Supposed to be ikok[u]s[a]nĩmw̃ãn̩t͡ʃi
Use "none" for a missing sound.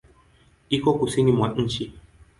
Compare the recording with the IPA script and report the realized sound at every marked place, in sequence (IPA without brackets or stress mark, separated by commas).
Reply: u, i